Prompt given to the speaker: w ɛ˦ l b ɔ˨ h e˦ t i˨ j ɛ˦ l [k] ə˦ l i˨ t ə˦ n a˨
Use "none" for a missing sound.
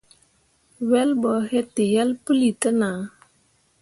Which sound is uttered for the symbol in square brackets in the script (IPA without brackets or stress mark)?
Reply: p